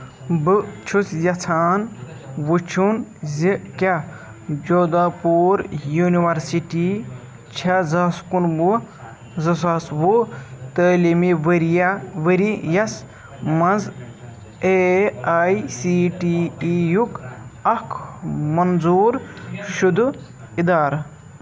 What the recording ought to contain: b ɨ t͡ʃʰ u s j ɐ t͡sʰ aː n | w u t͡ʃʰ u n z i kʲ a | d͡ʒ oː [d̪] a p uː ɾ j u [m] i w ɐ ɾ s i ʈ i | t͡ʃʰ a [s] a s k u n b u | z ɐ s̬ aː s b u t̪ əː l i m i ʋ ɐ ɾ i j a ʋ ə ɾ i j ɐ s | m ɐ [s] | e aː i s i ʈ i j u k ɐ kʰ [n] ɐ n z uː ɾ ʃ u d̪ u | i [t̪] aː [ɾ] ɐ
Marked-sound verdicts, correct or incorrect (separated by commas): correct, incorrect, incorrect, incorrect, incorrect, incorrect, correct